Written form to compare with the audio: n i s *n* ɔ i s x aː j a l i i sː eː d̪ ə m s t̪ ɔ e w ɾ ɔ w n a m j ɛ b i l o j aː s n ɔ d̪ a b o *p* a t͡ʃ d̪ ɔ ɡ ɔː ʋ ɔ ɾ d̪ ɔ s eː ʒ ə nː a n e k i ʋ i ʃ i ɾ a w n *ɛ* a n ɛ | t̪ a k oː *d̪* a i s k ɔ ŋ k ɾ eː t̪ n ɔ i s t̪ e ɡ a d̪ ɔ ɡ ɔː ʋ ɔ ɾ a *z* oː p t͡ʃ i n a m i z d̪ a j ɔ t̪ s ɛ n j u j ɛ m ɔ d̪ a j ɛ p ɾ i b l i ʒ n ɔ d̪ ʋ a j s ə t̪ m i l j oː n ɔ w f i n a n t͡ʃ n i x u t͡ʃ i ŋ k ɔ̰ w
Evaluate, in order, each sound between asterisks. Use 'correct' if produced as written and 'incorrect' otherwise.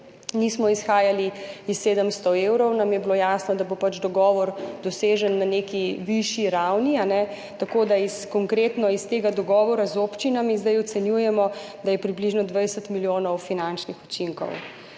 incorrect, correct, incorrect, correct, correct

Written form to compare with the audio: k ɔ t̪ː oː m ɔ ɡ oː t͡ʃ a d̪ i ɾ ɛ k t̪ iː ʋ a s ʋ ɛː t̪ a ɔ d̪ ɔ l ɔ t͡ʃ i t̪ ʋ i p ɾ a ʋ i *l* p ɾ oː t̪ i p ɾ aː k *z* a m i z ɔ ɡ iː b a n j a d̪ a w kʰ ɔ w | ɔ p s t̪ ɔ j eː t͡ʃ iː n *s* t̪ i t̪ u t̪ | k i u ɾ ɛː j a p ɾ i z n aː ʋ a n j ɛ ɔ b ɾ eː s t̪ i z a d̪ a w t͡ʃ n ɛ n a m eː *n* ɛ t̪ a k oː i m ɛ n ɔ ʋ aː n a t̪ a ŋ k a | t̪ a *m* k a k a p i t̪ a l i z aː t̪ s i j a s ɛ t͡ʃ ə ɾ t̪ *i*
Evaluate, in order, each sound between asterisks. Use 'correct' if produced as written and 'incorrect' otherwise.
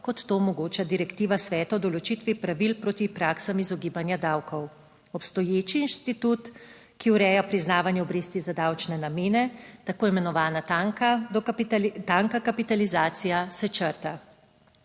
correct, incorrect, incorrect, correct, incorrect, incorrect

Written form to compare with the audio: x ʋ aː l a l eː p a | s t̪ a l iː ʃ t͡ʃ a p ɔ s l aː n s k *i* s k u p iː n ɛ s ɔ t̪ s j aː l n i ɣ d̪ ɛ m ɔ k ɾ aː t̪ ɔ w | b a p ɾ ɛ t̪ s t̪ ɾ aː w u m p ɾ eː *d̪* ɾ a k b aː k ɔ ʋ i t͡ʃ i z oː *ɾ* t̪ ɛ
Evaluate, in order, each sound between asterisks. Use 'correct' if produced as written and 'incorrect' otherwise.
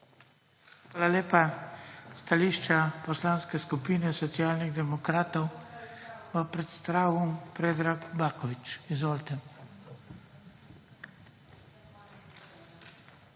incorrect, correct, incorrect

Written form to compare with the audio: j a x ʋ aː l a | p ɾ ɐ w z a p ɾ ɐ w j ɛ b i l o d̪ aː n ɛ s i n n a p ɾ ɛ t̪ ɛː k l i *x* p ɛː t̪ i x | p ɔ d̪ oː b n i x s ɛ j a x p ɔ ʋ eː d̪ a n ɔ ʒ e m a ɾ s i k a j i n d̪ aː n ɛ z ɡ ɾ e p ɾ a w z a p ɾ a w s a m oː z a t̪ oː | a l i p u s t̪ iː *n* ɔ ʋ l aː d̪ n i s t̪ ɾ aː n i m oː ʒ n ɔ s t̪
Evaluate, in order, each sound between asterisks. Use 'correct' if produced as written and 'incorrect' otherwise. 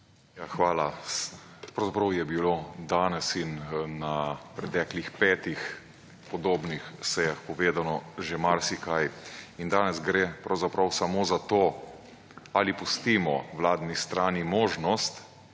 correct, incorrect

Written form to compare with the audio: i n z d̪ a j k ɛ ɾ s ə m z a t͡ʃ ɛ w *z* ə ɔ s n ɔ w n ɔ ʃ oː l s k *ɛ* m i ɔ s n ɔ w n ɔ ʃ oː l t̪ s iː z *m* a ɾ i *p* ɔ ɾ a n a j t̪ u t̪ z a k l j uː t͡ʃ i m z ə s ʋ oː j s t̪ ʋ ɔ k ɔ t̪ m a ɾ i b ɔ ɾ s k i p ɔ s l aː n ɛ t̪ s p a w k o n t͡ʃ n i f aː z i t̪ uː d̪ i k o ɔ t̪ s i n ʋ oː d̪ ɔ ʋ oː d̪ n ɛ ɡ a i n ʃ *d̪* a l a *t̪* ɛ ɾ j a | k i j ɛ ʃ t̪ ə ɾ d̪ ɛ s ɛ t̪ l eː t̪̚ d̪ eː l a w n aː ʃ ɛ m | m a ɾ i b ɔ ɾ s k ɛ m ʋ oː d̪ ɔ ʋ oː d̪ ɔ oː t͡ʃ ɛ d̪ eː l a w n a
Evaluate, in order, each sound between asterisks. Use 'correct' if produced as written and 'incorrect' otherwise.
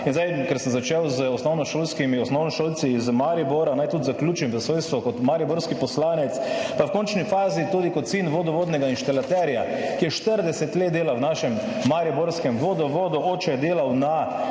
correct, incorrect, correct, incorrect, incorrect, correct

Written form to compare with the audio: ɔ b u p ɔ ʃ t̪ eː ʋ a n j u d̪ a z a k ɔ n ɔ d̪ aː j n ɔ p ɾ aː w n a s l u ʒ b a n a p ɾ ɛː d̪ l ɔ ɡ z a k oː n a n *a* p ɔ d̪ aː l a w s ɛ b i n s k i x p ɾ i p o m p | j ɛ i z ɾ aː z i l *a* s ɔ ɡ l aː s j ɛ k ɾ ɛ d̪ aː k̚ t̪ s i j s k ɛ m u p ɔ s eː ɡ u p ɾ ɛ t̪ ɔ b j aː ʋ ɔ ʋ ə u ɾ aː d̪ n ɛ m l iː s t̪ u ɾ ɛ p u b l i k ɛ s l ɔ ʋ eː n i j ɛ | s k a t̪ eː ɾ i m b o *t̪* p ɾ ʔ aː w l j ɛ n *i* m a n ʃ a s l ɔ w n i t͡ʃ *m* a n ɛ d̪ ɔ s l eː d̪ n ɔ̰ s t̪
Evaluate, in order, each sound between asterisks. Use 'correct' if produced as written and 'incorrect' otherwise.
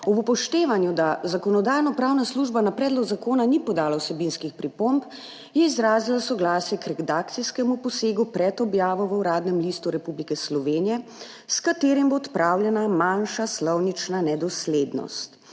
incorrect, correct, correct, incorrect, incorrect

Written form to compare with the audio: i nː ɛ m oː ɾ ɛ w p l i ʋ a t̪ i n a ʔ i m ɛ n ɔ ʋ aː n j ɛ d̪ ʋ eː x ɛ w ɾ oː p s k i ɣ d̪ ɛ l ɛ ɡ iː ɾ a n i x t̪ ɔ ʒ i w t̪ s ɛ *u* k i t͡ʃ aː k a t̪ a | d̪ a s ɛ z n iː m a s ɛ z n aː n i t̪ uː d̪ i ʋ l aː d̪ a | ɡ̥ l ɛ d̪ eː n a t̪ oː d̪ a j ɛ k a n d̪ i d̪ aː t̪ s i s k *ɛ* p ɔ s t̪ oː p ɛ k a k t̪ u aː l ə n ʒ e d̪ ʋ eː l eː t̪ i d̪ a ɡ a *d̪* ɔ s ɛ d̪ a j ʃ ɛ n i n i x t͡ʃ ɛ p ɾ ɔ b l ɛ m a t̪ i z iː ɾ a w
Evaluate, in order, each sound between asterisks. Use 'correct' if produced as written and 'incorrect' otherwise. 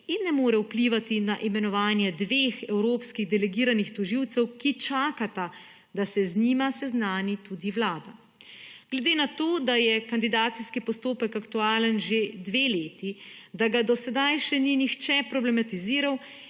incorrect, incorrect, correct

